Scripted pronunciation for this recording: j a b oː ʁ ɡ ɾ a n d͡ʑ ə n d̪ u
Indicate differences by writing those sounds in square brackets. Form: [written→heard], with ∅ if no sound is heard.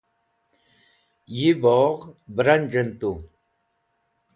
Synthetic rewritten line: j [a→i] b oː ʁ [ɡ→b] ɾ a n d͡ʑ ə n [d̪→t̪] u